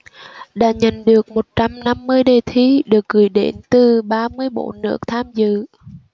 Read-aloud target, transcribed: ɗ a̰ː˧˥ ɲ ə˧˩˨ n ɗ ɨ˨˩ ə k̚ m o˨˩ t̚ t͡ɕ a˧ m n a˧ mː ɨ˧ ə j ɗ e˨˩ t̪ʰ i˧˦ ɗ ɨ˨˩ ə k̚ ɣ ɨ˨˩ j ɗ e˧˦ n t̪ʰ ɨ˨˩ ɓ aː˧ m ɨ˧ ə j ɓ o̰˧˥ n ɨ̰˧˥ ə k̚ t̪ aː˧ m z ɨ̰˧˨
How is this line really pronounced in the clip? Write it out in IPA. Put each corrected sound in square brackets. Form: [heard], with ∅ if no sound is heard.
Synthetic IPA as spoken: ɗ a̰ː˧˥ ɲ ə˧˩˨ n ɗ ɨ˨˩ ə k̚ m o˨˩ t̚ t͡ɕ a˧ m n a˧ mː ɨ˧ ə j ɗ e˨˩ t̪ʰ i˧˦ ɗ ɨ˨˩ ə k̚ ɣ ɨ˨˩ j ɗ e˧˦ n [t̪] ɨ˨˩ ɓ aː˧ m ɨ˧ ə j ɓ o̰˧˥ n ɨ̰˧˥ ə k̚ [t̪ʰ] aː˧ m z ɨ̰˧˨